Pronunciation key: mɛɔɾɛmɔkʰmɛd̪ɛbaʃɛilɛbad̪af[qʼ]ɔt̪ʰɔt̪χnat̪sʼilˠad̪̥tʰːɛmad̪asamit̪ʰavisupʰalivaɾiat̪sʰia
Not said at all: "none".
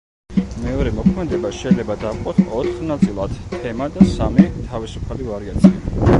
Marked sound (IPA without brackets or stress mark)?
qʼ